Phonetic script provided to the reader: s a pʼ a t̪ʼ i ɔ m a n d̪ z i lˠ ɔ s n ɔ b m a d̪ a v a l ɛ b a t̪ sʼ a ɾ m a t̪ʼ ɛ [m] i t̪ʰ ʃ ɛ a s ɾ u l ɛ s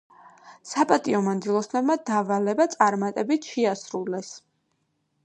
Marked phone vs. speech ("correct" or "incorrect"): incorrect